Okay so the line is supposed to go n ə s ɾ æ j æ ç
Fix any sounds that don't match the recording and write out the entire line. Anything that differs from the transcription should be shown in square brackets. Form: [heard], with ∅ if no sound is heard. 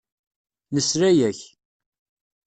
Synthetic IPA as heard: n ə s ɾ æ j æ ç